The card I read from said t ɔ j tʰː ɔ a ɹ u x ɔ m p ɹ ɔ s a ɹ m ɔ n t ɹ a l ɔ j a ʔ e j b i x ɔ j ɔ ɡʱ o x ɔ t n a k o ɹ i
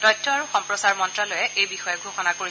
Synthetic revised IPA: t ɔ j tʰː ɔ a ɹ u x ɔ m p ɹ ɔ s a ɹ m ɔ n t ɹ a l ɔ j ɛ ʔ e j b i x ɔ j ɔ ɡʱ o x ɔ n a k o ɹ i